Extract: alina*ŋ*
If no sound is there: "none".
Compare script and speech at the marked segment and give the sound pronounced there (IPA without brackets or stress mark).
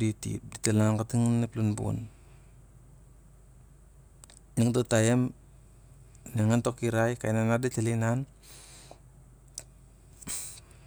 n